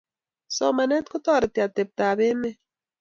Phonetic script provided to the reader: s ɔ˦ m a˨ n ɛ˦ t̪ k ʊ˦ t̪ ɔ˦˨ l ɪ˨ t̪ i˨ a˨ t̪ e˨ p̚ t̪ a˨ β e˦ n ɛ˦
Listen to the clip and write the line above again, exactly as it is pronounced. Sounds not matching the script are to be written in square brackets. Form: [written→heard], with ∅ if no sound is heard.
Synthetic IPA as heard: s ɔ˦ m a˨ n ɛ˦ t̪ k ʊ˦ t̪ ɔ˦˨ [l→ɾ] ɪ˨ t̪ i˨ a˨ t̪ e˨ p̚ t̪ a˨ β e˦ [n→m] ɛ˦